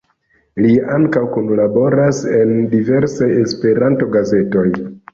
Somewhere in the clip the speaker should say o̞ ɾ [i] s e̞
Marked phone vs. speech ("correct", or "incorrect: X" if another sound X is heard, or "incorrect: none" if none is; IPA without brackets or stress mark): incorrect: a